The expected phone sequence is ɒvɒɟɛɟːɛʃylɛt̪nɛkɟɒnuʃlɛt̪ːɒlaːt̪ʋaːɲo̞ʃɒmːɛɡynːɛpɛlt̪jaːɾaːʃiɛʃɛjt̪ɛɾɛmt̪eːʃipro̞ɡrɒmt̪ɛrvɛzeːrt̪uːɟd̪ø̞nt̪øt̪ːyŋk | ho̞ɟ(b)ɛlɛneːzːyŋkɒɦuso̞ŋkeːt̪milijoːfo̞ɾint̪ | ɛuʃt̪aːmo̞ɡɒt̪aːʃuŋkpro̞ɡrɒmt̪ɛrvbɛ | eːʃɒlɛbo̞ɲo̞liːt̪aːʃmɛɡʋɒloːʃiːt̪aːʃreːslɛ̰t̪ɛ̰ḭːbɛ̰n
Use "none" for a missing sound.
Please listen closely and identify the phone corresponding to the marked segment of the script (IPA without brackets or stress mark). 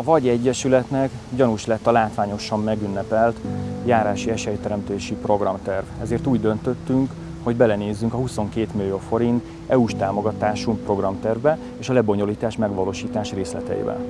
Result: b